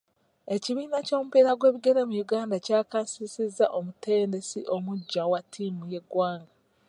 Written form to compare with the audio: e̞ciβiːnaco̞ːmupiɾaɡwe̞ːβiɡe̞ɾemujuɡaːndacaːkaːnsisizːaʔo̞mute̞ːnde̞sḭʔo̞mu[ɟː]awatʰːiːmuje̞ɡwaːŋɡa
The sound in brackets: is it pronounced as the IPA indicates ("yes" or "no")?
yes